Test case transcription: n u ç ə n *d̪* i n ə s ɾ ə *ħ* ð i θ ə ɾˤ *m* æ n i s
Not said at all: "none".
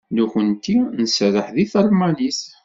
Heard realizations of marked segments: t̪, ħ, m

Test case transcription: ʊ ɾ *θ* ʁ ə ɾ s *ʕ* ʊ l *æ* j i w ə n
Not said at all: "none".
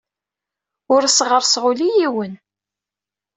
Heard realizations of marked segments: s, ʁ, i

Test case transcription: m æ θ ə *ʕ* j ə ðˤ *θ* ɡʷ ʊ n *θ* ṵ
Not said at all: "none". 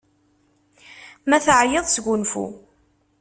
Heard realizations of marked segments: ʕ, s, f

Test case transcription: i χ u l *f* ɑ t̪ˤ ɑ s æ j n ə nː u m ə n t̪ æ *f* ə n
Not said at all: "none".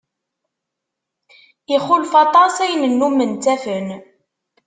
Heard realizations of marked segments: f, f

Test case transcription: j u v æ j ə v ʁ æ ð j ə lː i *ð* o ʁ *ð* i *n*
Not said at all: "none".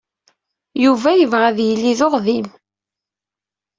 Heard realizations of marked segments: ð, ð, m

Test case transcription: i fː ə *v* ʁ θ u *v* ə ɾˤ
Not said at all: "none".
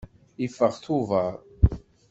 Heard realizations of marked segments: none, v

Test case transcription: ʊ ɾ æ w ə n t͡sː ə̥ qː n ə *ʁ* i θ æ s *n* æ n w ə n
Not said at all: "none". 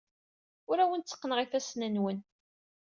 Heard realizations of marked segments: ʁ, n

